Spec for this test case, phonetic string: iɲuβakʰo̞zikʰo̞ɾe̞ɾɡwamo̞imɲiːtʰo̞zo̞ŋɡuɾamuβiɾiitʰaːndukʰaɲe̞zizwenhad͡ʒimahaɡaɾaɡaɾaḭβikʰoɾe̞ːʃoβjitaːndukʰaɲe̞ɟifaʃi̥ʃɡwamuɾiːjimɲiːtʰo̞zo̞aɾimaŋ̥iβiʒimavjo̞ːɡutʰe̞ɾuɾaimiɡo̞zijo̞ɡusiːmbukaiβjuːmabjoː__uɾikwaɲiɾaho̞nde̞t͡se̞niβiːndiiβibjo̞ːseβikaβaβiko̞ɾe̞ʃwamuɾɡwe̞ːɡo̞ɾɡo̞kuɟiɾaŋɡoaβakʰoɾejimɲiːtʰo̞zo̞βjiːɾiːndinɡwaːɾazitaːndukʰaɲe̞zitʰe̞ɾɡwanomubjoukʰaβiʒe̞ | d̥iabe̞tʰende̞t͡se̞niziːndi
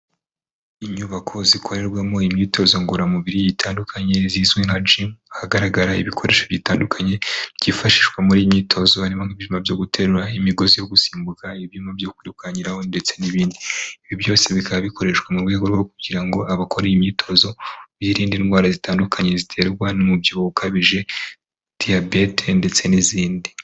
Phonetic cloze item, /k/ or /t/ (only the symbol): k